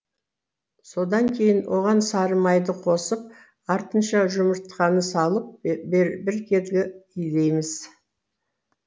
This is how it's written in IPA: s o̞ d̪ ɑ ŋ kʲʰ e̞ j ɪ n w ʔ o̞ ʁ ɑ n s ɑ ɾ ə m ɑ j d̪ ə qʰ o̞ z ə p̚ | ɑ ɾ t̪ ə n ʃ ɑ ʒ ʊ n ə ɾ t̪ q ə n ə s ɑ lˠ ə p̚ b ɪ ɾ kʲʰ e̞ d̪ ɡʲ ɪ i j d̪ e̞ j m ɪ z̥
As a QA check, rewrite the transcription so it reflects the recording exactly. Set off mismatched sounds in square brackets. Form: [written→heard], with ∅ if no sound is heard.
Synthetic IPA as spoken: s o̞ d̪ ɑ ŋ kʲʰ e̞ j ɪ n w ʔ o̞ ʁ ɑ n s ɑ ɾ ə m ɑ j d̪ ə qʰ o̞ [z→s] ə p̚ | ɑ ɾ t̪ ə n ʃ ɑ ʒ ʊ [n→m] ə ɾ t̪ q [ə→ɑ] n ə s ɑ lˠ ə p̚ b ɪ ɾ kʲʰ e̞ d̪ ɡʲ ɪ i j d̪ e̞ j m ɪ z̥